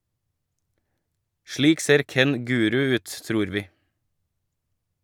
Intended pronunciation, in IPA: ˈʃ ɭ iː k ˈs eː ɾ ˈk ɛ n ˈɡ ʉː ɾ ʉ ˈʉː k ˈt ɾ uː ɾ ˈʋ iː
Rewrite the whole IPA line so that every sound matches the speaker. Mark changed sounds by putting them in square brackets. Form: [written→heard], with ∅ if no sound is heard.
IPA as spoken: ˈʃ ɭ iː k ˈs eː ɾ ˈk ɛ n ˈɡ ʉː ɾ ʉ ˈʉː [k→t] ˈt ɾ uː ɾ ˈʋ iː

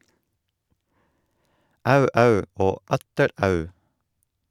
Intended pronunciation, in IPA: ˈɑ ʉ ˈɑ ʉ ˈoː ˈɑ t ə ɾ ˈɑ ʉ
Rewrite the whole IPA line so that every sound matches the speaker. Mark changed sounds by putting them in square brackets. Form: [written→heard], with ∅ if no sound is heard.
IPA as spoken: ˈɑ ʉ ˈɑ ʉ ˈoː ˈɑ t ə ɾ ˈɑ ʉ

